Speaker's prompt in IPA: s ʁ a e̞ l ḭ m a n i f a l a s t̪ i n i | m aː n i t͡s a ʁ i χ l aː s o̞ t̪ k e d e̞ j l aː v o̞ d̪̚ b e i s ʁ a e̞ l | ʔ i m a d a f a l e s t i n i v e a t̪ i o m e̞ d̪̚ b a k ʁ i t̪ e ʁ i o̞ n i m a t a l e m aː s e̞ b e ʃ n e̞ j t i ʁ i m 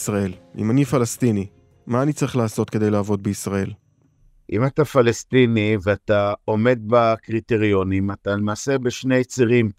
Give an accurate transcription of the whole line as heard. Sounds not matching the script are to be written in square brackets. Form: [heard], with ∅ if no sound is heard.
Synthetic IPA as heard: s ʁ a e̞ l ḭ m a n i f a l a s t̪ i n i | m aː n i t͡s a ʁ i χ l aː s o̞ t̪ k e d e̞ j l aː v o̞ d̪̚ b e i s ʁ a e̞ l | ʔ i m a [t] a f a l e s t i n i v e a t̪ [a] o m e̞ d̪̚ b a k ʁ i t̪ e ʁ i o̞ n i m a t a l e m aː s e̞ b e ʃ n e̞ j [t͡s] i ʁ i m